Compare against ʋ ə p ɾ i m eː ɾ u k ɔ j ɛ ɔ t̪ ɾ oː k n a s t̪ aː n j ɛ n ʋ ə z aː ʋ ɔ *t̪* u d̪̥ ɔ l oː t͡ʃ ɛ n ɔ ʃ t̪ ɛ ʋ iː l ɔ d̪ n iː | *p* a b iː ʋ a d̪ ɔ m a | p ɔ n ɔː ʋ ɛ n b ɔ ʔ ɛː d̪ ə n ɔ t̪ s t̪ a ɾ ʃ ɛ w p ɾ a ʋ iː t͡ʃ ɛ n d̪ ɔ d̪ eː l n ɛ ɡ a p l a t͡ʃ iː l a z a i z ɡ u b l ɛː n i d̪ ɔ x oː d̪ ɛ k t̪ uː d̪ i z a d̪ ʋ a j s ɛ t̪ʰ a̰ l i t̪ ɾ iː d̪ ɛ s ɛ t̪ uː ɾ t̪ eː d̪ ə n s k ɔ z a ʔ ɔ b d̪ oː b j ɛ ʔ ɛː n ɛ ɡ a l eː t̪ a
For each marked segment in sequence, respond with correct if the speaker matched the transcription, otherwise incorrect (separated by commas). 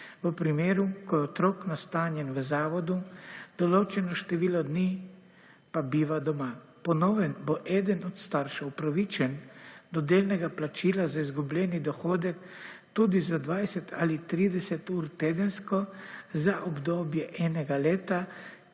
incorrect, correct